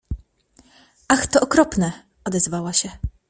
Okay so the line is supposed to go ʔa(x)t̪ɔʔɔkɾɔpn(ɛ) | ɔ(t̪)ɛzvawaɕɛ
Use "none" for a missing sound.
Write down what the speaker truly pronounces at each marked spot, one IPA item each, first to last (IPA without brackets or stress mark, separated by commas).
x, ɛ, d̪